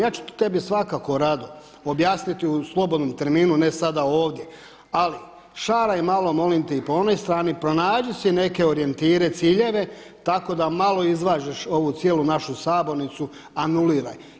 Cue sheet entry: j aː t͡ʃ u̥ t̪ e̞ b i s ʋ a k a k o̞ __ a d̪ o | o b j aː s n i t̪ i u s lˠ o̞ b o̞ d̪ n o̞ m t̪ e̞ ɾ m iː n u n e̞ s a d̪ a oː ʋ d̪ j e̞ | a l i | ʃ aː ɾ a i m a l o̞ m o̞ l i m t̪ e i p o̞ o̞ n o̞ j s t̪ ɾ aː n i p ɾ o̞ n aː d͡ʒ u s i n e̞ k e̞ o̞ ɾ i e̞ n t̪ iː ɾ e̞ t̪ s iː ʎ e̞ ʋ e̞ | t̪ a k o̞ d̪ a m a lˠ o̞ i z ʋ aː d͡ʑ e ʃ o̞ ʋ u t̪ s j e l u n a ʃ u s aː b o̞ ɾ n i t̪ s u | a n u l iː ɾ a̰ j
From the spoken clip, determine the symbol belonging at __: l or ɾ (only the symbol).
ɾ